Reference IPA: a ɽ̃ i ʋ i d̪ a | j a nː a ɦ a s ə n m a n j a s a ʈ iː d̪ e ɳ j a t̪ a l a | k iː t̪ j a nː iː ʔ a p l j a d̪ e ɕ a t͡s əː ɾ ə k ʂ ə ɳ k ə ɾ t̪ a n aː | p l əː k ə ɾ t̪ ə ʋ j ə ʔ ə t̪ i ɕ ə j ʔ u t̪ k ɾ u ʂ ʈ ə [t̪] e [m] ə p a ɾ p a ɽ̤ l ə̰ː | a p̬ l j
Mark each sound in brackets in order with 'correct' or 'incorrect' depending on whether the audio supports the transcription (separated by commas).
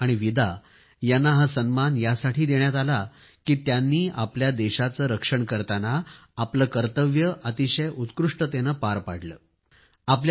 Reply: correct, incorrect